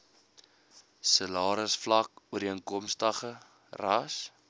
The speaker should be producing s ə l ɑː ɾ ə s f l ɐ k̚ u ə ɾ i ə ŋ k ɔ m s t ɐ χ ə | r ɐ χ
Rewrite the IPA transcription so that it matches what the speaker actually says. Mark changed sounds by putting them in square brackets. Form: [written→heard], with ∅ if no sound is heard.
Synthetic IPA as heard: s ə l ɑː ɾ ə s f l ɐ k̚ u ə ɾ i ə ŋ k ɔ m s t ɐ χ ə | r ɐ [χ→s]